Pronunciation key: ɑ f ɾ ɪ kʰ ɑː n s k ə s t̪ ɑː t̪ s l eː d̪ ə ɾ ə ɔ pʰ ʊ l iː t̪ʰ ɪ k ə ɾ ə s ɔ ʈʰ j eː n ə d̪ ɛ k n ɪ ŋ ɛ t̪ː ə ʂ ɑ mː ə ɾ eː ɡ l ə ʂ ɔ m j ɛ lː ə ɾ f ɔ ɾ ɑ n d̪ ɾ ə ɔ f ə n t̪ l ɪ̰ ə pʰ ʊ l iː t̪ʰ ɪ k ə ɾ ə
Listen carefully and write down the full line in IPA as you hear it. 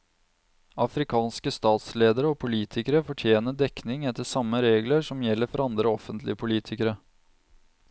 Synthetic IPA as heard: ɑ f ɾ ɪ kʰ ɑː n s k ə s t̪ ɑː t̪ s l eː d̪ ə ɾ ə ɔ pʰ ʊ l iː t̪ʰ ɪ k ə ɾ ə f ɔ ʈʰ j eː n ə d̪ ɛ k n ɪ ŋ ɛ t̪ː ə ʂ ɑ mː ə ɾ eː ɡ l ə ʂ ɔ m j ɛ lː ə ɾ f ɔ ɾ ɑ n d̪ ɾ ə ɔ f ə n t̪ l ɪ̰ ə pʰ ʊ l iː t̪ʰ ɪ k ə ɾ ə